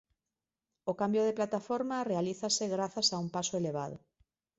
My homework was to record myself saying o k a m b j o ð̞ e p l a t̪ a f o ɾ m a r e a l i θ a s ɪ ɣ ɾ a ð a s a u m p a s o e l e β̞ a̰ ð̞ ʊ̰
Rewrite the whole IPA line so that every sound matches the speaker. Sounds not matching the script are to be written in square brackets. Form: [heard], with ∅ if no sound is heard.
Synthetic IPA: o k a m b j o ð̞ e p l a t̪ a f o ɾ m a r e a l i θ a s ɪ ɣ ɾ a [θ] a s a u m p a s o e l e β̞ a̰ ð̞ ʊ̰